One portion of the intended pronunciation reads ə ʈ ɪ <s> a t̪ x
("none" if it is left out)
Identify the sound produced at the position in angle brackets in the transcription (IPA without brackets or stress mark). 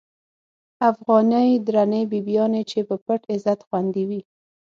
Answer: z